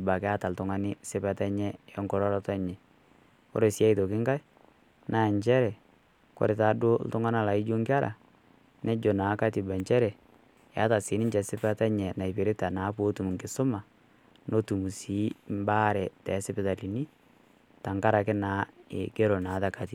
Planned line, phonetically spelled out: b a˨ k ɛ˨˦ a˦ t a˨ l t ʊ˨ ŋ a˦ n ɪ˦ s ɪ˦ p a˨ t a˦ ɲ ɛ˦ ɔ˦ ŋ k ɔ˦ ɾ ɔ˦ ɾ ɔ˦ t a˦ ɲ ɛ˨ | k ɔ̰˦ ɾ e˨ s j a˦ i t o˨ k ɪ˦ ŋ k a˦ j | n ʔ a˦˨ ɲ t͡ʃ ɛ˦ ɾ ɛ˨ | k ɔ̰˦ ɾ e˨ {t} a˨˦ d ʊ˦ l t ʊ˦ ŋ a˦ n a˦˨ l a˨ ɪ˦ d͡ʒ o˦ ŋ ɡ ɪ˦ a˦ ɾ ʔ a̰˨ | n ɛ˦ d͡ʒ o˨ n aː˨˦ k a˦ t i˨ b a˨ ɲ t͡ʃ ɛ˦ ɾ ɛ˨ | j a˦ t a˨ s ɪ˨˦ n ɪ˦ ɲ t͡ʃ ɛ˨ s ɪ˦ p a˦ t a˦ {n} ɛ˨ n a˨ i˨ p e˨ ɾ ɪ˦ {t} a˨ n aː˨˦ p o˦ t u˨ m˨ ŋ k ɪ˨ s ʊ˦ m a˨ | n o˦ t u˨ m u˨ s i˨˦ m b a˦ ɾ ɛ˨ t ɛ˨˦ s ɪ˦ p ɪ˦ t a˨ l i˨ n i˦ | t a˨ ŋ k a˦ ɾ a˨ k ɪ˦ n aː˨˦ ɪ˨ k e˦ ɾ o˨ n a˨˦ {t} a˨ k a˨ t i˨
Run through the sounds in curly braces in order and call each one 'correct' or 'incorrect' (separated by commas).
correct, incorrect, correct, correct